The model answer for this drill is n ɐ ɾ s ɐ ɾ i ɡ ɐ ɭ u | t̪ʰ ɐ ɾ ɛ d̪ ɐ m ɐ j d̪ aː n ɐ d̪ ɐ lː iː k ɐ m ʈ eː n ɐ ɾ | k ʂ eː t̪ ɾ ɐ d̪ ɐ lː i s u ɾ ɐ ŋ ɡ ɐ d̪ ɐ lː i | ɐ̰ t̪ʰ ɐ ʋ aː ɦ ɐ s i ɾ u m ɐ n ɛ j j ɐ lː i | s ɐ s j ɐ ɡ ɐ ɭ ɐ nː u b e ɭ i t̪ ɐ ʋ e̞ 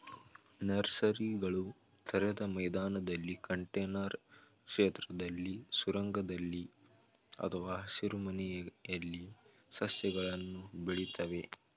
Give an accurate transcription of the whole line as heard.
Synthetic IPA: n ɐ ɾ s ɐ ɾ i ɡ ɐ ɭ u | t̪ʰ ɐ ɾ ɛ d̪ ɐ m ɐ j d̪ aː n ɐ d̪ ɐ lː i k ɐ ɳ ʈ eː n ɐ ɾ | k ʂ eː t̪ ɾ ɐ d̪ ɐ lː i s u ɾ ɐ ŋ ɡ ɐ d̪ ɐ lː i | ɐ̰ t̪ʰ ɐ ʋ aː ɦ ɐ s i ɾ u m ɐ n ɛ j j ɐ lː i | s ɐ s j ɐ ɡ ɐ ɭ ɐ nː u b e ɭ i t̪ ɐ ʋ e̞